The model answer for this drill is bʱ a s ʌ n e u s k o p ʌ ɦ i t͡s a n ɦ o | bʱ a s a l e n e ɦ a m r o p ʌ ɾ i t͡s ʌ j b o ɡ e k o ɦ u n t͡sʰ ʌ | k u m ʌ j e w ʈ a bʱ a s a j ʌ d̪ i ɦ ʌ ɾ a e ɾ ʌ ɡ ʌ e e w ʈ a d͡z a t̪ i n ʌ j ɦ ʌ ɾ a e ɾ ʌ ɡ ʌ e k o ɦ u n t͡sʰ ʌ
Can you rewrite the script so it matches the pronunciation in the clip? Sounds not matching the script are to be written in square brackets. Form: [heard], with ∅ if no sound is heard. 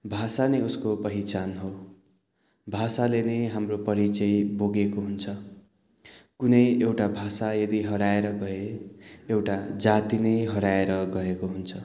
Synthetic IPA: bʱ a s [a] n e u s k o p ʌ ɦ i t͡s a n ɦ o | bʱ a s a l e n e ɦ a m r o p ʌ ɾ i t͡s ʌ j b o ɡ e k o ɦ u n t͡sʰ ʌ | k u [n] ʌ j e w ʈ a bʱ a s a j ʌ d̪ i ɦ ʌ ɾ a e ɾ ʌ ɡ ʌ e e w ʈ a d͡z a t̪ i n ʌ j ɦ ʌ ɾ a e ɾ ʌ ɡ ʌ e k o ɦ u n t͡sʰ ʌ